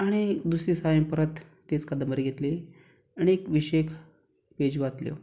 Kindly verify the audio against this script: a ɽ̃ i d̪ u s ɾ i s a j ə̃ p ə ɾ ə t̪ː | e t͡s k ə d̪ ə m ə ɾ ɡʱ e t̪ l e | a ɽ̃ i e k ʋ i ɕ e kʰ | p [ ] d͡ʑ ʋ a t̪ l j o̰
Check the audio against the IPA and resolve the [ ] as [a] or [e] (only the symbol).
e